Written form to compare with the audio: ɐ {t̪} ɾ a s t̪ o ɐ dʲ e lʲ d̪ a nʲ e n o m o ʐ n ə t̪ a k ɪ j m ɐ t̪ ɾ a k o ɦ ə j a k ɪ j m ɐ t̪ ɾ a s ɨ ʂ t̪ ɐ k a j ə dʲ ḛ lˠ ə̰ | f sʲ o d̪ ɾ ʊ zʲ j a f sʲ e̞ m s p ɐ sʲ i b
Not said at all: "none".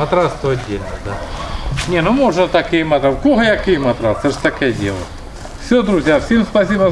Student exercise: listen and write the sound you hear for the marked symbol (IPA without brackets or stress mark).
t̪